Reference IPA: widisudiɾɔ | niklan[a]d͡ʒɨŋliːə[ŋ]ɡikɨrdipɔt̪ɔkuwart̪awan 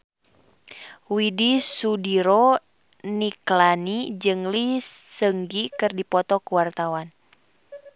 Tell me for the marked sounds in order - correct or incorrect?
incorrect: i, correct

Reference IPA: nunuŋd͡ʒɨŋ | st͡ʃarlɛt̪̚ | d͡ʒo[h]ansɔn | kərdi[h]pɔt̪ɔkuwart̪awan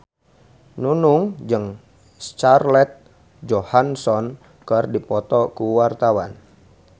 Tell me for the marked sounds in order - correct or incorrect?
correct, incorrect: none

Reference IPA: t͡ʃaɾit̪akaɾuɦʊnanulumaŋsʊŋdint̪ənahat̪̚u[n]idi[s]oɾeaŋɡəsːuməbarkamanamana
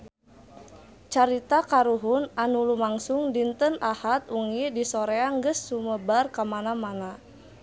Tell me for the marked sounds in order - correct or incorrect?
incorrect: ŋ, correct

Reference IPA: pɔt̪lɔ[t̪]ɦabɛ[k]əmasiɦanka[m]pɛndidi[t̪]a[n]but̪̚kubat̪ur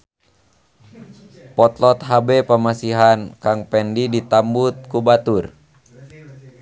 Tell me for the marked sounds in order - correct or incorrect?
correct, incorrect: p, incorrect: ŋ, correct, incorrect: m

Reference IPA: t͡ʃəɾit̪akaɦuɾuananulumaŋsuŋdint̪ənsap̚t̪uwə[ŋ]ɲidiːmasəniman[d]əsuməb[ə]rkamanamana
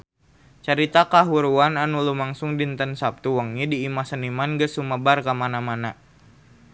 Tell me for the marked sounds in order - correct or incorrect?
correct, incorrect: ɡ, incorrect: a

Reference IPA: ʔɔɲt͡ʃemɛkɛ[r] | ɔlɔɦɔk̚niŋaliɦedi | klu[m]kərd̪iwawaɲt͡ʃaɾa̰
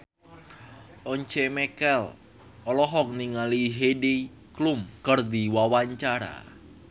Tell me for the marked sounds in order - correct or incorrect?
incorrect: l, correct

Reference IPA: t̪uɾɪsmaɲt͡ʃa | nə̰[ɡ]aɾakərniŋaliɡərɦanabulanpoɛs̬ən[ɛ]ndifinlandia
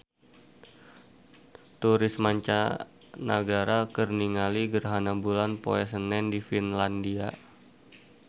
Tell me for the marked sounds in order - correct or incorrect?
correct, correct

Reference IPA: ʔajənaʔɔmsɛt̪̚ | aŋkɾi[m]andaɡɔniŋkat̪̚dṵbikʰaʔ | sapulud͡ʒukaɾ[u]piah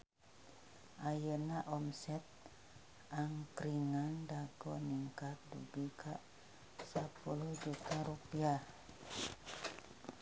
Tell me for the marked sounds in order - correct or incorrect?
incorrect: ŋ, correct

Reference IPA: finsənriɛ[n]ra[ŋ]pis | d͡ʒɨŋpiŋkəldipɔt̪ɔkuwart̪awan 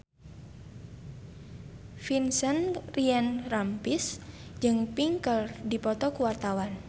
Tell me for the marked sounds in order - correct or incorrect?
correct, incorrect: m

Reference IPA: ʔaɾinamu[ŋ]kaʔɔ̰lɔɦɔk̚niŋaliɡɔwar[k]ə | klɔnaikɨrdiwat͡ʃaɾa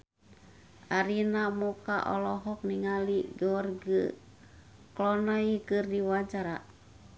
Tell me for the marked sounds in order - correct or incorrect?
incorrect: none, incorrect: ɡ

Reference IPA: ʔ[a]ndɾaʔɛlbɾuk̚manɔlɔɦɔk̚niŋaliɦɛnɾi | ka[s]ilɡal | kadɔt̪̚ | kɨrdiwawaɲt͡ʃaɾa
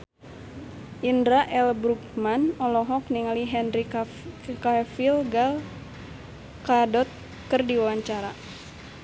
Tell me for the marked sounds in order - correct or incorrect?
incorrect: i, incorrect: f

